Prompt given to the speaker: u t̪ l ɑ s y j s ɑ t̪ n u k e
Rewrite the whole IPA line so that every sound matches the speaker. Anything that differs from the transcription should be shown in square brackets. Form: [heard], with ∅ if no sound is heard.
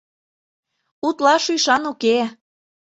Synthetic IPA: u t̪ l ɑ [ʃ] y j [ʃ] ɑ [∅] n u k e